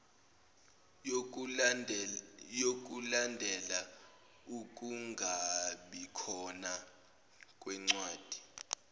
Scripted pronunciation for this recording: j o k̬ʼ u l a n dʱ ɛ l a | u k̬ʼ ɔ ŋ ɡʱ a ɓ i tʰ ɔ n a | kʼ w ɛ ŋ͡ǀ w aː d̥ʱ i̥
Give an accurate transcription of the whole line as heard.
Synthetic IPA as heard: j o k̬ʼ u l a n dʱ ɛ l a | u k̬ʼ u ŋ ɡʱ a ɓ i kʰ ɔ n a | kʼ w ɛ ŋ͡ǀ w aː d̥ʱ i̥